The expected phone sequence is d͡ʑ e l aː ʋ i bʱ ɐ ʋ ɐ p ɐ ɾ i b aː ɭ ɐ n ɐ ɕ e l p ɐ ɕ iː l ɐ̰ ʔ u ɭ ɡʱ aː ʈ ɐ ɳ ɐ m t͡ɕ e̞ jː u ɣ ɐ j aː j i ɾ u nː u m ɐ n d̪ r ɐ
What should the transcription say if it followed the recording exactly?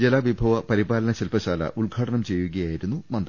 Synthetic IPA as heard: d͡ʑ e l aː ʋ i bʱ ɐ ʋ ɐ p ɐ ɾ i b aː l ɐ n ɐ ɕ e l p ɐ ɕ aː l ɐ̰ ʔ u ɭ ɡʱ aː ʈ ɐ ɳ ɐ m t͡ɕ e̞ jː u ɣ ɐ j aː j i ɾ u nː u m ɐ n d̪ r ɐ